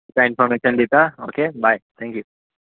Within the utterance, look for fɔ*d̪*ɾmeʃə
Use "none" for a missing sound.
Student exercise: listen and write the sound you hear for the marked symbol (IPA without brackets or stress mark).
none